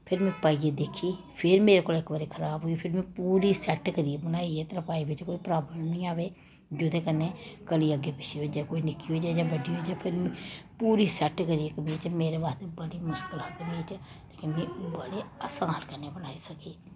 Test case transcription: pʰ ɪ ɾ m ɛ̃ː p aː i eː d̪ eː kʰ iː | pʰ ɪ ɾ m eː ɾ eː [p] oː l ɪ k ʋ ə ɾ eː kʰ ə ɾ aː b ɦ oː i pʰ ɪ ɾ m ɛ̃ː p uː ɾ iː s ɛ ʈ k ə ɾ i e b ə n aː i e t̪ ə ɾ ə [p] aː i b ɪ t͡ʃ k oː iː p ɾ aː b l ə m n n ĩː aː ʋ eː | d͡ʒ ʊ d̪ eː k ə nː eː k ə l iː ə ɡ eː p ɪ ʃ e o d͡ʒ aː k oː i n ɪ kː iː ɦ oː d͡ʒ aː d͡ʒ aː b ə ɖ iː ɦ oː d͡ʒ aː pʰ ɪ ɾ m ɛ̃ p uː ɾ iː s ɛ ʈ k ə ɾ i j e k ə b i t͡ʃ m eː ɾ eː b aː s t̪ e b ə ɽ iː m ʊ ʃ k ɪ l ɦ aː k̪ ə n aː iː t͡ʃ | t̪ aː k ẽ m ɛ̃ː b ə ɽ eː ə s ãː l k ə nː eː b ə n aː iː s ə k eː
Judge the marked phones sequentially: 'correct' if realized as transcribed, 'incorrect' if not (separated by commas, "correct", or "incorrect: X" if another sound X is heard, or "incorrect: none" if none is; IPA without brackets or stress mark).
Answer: incorrect: k, correct